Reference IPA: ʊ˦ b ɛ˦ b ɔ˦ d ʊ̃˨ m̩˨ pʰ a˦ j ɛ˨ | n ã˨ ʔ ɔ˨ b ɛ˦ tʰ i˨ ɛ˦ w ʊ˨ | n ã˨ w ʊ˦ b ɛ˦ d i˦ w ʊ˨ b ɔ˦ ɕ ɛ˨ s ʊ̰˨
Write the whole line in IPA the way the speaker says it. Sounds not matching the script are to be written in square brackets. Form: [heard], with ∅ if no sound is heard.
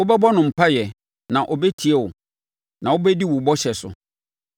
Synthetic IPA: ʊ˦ b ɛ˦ b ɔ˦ [n] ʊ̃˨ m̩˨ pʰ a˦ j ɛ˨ | n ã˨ ʔ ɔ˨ b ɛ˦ tʰ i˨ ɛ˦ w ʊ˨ | n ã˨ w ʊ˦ b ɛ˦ d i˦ w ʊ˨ b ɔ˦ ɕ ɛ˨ s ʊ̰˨